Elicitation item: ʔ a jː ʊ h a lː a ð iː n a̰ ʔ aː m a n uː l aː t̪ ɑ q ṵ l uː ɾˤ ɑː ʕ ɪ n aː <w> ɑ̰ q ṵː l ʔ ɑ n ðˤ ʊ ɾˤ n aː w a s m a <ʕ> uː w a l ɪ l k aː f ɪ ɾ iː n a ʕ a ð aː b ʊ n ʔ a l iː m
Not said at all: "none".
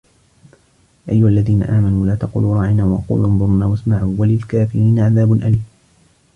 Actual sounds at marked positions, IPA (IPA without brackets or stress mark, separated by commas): w, ʕ